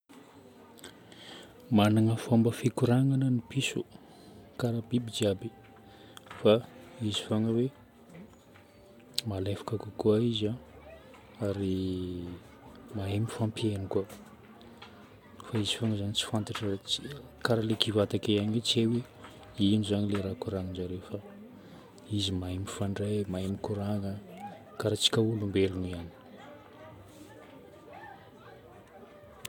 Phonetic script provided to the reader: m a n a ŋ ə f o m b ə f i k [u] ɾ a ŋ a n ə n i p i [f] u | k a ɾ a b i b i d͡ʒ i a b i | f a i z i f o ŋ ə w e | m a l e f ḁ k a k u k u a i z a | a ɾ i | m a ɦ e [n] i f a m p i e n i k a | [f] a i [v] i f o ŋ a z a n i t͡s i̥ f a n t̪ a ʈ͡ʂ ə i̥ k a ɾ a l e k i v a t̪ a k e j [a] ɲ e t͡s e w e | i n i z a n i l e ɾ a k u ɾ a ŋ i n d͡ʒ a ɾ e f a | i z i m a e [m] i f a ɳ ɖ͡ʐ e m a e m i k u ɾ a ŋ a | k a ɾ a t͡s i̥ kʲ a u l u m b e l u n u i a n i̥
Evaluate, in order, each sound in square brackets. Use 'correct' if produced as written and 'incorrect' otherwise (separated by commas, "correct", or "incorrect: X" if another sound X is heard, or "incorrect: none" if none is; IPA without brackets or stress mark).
correct, incorrect: s, incorrect: m, correct, incorrect: z, correct, correct